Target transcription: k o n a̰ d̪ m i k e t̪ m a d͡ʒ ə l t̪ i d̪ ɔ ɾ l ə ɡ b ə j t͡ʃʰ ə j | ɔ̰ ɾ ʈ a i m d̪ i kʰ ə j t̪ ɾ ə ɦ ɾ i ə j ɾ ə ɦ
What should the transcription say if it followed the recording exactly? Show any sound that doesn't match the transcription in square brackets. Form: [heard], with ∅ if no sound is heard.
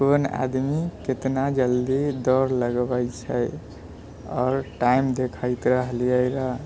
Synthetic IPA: k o n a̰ d̪ m i k e t̪ [n] a d͡ʒ ə l [d̪] i d̪ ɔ ɾ l ə ɡ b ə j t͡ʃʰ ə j | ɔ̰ ɾ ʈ a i m d̪ [e] kʰ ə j t̪ ɾ ə ɦ [l] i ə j ɾ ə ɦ